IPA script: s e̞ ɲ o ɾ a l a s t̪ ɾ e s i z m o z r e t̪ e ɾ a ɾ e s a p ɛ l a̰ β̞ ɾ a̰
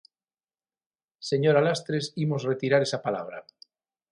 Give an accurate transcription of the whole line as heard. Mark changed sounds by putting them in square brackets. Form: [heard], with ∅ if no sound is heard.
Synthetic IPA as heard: s e̞ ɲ o ɾ a l a s t̪ ɾ e s i [∅] m o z r e t̪ [i] ɾ a ɾ e s a p [a] l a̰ β̞ ɾ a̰